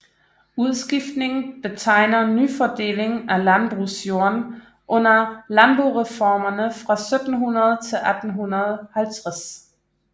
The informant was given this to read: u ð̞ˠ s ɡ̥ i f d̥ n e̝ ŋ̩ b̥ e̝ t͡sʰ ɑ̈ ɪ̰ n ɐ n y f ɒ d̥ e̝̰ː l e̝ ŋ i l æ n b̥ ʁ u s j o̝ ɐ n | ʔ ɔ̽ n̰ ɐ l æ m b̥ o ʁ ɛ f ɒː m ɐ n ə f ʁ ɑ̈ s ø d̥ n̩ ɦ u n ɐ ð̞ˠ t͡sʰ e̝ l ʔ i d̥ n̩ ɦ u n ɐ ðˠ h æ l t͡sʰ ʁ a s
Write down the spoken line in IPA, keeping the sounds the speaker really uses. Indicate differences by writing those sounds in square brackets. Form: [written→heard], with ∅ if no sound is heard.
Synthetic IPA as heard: u ð̞ˠ s ɡ̥ i f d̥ n e̝ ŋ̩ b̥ e̝ t͡sʰ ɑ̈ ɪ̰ n ɐ n y f ɒ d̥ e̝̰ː l e̝ ŋ [i→æ] l æ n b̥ ʁ u s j o̝ ɐ n | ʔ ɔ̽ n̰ ɐ l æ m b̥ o ʁ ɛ f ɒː m ɐ n ə f ʁ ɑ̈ s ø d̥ n̩ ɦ u n ɐ ð̞ˠ t͡sʰ e̝ l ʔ [i→æ] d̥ n̩ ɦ u n ɐ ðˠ h æ l t͡sʰ ʁ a s